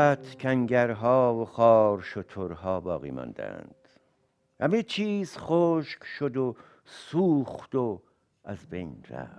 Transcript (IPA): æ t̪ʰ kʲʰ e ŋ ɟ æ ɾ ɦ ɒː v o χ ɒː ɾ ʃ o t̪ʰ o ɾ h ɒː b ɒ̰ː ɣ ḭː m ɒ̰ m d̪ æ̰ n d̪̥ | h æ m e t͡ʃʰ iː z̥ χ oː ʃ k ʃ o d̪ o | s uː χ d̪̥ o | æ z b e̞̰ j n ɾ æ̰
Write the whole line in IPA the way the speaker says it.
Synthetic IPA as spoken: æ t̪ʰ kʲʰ æ ŋ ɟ æ ɾ ɦ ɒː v o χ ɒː ɾ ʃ o t̪ʰ o ɾ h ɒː b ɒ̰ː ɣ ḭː m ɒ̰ n d̪ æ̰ n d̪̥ | h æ m e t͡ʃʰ iː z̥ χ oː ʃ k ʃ o d̪ o | s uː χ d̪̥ o | æ z b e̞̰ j n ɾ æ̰